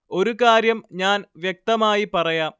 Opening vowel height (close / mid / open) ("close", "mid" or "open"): mid